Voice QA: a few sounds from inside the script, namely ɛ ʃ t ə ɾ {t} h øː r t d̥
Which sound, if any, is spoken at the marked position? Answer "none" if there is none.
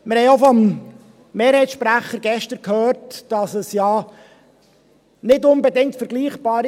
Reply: k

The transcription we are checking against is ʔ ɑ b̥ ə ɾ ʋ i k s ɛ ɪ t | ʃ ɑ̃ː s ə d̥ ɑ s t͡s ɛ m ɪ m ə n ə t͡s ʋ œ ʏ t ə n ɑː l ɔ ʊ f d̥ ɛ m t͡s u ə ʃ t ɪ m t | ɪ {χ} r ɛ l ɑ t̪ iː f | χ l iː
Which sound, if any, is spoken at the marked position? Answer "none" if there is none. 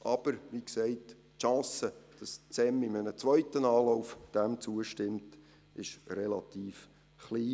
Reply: ʃ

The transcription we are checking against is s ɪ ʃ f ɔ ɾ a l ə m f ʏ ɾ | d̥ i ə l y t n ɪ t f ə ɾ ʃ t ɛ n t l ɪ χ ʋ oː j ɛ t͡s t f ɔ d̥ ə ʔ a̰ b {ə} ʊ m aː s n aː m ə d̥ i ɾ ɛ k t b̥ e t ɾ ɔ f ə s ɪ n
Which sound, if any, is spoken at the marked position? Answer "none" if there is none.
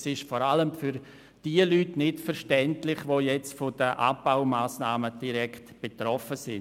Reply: a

